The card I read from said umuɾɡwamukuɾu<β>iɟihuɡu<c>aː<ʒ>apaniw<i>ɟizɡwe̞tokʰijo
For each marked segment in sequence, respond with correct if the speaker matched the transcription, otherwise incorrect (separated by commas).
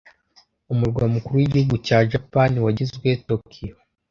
incorrect, correct, correct, incorrect